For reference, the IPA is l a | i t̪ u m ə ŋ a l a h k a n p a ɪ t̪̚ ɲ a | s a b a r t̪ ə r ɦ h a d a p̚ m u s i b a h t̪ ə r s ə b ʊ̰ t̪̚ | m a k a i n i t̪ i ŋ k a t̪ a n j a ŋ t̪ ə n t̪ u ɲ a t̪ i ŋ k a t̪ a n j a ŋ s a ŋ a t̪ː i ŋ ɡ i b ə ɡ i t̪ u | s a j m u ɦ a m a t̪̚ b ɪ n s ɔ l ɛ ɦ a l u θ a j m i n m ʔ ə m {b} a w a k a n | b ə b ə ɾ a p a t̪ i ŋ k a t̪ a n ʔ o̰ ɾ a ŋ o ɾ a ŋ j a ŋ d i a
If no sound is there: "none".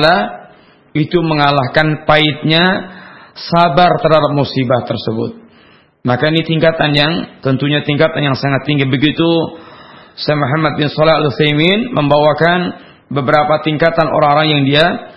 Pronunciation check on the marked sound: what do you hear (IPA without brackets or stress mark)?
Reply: b